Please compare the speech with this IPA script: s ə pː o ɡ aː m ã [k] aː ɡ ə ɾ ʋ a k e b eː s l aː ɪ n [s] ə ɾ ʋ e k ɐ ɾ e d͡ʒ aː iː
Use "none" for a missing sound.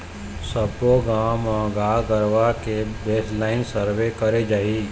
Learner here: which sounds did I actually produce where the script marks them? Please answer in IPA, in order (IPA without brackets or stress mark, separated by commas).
ɡ, s